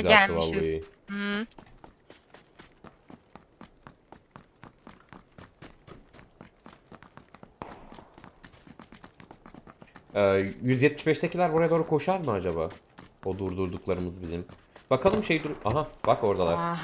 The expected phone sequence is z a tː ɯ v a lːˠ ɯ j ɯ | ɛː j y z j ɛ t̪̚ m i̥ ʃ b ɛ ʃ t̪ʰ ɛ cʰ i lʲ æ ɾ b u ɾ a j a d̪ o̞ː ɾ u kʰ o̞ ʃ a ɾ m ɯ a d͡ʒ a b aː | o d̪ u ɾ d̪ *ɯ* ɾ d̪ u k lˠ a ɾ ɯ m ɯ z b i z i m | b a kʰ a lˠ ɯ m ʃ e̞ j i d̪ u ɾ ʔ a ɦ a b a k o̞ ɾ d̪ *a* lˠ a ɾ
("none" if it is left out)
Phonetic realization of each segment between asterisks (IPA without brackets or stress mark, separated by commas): u, a